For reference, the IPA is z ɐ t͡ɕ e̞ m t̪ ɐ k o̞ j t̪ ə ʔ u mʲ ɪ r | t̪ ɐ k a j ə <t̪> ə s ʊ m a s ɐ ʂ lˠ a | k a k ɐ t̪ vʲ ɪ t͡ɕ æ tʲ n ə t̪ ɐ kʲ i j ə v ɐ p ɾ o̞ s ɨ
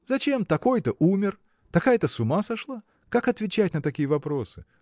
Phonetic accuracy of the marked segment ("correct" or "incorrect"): correct